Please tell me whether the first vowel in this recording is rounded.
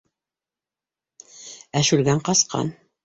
no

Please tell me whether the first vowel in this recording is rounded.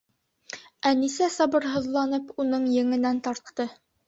no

